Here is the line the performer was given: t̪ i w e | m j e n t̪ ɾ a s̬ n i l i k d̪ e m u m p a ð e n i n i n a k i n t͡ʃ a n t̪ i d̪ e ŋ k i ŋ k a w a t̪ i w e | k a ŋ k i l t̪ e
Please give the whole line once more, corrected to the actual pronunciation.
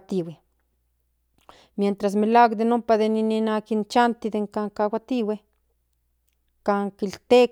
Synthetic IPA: t̪ i w e | m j e n t̪ ɾ a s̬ m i l a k d̪ e n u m p a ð e n i n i n a k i n t͡ʃ a n t̪ i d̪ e ŋ k a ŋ k a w a t̪ i w e | k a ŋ k i l t̪ e